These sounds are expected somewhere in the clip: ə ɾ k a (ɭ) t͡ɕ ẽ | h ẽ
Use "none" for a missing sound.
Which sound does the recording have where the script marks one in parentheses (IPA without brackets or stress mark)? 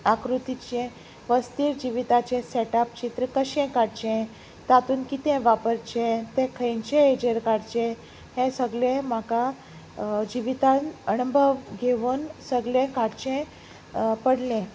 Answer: ɽ